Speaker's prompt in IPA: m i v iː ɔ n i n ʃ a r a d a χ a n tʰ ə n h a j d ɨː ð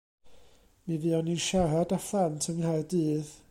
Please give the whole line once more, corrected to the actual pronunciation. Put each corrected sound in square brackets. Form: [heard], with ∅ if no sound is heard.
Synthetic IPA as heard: m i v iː ɔ n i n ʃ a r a d a [f] a n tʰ ə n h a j d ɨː ð